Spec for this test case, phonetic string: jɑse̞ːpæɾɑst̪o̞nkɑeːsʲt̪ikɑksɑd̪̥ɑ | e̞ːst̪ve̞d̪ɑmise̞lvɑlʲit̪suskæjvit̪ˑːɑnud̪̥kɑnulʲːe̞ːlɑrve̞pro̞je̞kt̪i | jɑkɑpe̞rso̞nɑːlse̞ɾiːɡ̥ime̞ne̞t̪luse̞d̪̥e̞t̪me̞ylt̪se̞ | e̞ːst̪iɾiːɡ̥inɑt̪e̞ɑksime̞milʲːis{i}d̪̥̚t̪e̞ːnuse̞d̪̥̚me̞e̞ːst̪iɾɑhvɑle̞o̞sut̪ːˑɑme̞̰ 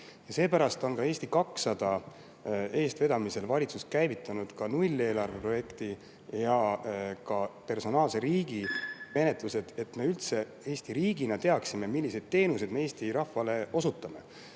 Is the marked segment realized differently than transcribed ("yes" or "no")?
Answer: yes